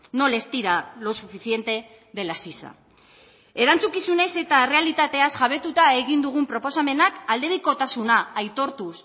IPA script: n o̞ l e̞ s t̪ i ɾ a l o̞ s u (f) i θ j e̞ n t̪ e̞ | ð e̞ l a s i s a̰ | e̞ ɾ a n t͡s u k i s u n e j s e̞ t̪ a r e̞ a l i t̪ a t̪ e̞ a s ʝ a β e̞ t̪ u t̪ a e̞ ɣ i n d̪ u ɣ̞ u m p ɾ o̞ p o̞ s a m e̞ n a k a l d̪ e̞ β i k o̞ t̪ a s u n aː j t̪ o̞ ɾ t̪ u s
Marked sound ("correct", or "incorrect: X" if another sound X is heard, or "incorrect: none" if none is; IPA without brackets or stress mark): correct